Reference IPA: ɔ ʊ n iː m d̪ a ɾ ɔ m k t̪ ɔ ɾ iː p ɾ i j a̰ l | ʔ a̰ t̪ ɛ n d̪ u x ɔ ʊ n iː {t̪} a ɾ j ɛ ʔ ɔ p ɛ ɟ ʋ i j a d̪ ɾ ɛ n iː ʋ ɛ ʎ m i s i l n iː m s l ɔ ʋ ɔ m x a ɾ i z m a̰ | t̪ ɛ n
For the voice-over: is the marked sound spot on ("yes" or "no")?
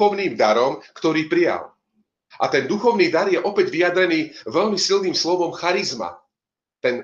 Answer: no